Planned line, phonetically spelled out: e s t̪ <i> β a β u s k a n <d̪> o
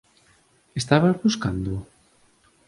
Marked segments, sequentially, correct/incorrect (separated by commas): incorrect, correct